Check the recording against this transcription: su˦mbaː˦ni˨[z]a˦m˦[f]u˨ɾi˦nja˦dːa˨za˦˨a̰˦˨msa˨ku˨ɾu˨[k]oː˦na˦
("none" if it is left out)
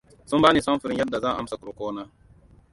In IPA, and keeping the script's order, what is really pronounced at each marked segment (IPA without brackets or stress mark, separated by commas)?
s, f, k